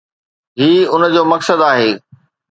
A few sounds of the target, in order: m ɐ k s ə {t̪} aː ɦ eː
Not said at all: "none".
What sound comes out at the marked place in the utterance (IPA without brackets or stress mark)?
d̪